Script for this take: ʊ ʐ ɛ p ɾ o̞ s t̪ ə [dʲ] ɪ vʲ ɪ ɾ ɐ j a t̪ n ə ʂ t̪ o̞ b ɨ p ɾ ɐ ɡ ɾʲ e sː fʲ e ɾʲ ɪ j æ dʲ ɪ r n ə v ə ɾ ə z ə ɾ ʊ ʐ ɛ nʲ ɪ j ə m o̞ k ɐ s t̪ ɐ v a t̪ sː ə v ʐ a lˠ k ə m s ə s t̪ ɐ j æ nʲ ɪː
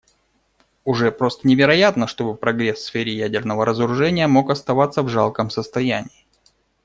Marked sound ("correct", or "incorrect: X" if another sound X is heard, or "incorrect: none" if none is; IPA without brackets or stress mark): incorrect: nʲ